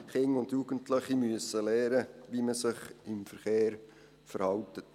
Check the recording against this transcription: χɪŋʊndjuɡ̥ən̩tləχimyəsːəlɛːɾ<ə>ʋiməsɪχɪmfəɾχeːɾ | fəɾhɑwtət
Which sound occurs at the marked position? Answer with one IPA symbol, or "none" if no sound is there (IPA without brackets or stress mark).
ə